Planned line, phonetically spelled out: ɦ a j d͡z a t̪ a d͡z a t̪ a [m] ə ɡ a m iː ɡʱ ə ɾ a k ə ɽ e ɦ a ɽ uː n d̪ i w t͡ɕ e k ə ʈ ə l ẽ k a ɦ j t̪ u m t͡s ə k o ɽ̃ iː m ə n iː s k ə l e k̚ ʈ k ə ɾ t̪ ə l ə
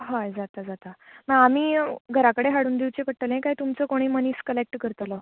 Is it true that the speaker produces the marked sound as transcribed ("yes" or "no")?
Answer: yes